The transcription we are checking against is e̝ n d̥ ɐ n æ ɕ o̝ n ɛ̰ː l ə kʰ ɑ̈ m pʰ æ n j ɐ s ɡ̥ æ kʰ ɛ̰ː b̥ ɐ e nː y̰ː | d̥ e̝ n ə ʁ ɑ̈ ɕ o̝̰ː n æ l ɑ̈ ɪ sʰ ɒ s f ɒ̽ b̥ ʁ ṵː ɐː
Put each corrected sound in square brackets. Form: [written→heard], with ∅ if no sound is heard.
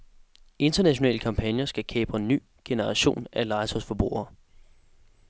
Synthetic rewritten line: e̝ n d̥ ɐ n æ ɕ o̝ n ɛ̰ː l ə kʰ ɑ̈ m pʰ æ n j ɐ s ɡ̥ æ kʰ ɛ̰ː b̥ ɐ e nː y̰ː | [d̥→ɡ̥] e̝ n ə ʁ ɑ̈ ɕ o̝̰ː n æ l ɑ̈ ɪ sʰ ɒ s f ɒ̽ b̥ ʁ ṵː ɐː